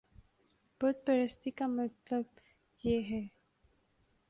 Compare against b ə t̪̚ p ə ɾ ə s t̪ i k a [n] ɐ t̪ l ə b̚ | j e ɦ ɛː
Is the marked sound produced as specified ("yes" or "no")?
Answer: no